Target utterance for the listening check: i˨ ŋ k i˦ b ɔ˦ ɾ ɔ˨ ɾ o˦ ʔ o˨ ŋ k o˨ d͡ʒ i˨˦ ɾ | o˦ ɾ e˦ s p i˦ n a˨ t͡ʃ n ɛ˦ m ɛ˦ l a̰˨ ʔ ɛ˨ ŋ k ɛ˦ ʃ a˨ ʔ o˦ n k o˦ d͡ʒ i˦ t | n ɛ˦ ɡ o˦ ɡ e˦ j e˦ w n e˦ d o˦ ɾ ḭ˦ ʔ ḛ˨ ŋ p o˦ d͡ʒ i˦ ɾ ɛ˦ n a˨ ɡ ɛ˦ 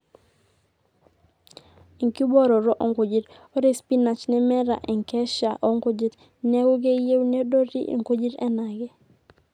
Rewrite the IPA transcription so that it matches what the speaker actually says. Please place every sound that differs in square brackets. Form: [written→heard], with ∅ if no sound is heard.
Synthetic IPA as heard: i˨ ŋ k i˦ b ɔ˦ ɾ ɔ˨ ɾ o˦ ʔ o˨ ŋ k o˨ d͡ʒ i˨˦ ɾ | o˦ ɾ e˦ s p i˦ n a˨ t͡ʃ n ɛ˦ m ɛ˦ [l→ɾ] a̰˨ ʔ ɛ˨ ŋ k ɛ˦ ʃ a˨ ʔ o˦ [n→ŋ] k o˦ d͡ʒ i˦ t | n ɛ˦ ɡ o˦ ɡ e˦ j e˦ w n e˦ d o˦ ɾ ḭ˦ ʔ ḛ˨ ŋ [p→k] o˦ d͡ʒ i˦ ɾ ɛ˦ n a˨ ɡ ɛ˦